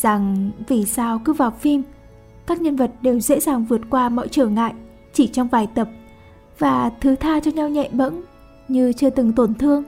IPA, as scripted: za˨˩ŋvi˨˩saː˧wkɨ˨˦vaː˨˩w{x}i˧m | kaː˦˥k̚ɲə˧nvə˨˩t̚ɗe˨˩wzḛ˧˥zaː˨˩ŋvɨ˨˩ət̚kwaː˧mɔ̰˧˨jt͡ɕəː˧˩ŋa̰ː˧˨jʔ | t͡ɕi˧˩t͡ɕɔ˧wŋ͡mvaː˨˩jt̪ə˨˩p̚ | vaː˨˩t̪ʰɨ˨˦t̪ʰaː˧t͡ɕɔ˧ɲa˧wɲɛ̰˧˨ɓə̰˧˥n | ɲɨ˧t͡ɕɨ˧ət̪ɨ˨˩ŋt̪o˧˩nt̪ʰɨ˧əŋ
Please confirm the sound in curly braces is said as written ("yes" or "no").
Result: no